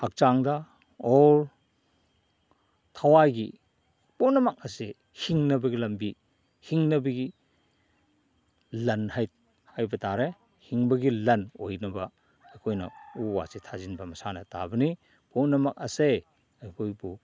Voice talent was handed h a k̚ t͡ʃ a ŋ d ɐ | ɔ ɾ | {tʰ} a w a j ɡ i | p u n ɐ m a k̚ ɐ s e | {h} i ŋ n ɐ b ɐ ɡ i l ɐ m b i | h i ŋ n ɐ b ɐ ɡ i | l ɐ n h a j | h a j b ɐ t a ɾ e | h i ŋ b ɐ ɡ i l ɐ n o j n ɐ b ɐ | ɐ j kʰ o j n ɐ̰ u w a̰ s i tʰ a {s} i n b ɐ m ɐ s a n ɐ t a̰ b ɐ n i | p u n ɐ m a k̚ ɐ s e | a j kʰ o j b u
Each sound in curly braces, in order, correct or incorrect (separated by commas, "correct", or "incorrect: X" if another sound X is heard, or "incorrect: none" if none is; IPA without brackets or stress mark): correct, correct, incorrect: z